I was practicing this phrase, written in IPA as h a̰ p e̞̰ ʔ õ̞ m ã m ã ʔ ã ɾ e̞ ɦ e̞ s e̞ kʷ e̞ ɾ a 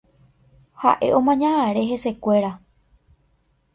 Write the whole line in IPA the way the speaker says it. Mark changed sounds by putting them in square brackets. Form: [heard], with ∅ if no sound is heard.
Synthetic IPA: h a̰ [ʔ] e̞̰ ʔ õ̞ m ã [ɲ] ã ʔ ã ɾ e̞ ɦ e̞ s e̞ kʷ e̞ ɾ a